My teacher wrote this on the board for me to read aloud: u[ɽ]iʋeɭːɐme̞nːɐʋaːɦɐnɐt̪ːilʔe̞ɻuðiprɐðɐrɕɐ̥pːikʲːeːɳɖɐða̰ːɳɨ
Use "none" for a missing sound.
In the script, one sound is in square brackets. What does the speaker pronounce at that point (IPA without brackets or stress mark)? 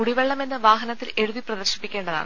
ɽ